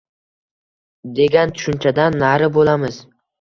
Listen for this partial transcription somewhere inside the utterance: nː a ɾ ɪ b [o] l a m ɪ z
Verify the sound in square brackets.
correct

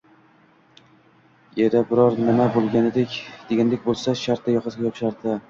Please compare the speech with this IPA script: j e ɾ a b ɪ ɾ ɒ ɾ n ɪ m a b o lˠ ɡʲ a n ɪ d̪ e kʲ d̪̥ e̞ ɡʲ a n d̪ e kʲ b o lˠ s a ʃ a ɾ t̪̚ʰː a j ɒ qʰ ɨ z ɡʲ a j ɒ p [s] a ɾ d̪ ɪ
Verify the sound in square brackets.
incorrect: ʃ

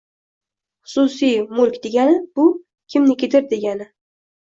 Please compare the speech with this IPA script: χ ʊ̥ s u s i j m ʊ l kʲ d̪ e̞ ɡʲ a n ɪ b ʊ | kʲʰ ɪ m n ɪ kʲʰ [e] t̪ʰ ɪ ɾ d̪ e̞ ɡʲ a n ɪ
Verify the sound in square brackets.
correct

